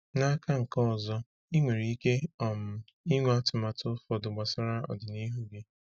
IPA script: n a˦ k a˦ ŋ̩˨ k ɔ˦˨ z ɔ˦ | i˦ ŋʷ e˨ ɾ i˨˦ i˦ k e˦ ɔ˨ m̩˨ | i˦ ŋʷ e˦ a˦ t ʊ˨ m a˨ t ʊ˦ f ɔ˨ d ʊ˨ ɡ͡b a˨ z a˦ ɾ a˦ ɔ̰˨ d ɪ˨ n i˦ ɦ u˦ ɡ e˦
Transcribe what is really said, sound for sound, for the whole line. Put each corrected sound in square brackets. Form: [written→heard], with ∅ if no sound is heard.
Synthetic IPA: n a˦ k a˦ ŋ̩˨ k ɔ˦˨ z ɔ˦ | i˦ ŋʷ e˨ ɾ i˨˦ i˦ k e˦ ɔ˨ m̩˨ | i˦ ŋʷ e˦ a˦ t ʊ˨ m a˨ t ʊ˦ f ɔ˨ d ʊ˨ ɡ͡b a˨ [z→s] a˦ ɾ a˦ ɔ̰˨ d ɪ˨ n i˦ ɦ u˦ ɡ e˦